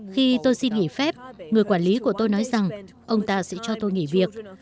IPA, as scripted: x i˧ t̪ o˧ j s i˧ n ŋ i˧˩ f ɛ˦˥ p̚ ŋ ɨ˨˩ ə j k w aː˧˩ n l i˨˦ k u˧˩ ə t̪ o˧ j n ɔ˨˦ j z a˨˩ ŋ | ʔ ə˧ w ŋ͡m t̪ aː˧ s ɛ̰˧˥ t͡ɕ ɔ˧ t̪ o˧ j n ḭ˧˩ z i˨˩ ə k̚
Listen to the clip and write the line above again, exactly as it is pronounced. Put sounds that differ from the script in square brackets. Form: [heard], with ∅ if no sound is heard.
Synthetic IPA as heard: x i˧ t̪ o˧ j s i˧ n ŋ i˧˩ f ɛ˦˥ p̚ ŋ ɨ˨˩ ə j k w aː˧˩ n l i˨˦ k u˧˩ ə t̪ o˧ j n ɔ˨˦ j z a˨˩ ŋ | ʔ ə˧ w ŋ͡m t̪ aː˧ s ɛ̰˧˥ t͡ɕ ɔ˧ t̪ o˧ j [ŋ] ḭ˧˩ [v] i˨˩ ə k̚

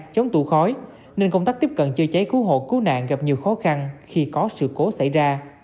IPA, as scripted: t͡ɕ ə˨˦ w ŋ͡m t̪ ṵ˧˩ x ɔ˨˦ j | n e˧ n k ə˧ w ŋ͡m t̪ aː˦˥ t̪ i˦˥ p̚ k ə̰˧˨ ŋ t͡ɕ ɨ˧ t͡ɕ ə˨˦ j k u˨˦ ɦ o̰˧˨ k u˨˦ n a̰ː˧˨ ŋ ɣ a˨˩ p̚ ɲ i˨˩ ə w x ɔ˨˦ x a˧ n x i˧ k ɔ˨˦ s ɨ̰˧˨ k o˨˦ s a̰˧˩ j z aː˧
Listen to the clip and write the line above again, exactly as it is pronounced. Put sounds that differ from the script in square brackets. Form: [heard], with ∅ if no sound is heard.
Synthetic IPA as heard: t͡ɕ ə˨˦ w ŋ͡m t̪ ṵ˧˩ x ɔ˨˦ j | n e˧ n k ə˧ w ŋ͡m t̪ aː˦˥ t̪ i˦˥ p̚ k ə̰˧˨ [n] t͡ɕ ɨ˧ t͡ɕ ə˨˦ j k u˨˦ ɦ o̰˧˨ k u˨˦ n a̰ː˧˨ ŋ ɣ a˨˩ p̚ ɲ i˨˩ ə w x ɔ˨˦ x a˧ n x i˧ k ɔ˨˦ s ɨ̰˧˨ k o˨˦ s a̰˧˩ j z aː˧

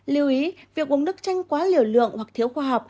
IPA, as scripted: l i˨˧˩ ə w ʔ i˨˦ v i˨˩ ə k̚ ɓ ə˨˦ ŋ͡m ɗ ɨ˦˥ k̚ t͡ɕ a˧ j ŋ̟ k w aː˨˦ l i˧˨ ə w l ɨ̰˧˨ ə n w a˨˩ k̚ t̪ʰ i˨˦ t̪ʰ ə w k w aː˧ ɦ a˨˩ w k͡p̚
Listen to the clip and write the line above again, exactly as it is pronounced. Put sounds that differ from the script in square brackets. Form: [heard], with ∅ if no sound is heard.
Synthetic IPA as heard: l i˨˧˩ ə w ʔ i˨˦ v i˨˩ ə k̚ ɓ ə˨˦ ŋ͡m ɗ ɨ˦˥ k̚ t͡ɕ a˧ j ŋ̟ k w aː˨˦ l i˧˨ ə w l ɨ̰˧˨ ə [ŋ] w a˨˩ k̚ t̪ʰ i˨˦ [∅] ə w [x] w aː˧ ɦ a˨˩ w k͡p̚

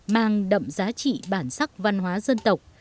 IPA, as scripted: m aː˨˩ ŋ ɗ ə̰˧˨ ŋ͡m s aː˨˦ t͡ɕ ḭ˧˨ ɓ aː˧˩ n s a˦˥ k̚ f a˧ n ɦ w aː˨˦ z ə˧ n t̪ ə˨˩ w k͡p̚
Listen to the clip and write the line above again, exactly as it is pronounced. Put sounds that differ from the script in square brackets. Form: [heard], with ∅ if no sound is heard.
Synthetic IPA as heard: m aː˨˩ ŋ ɗ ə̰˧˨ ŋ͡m [z] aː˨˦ t͡ɕ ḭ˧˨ ɓ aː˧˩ n s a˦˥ k̚ [v] a˧ n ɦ w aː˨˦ z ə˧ n t̪ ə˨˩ w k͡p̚

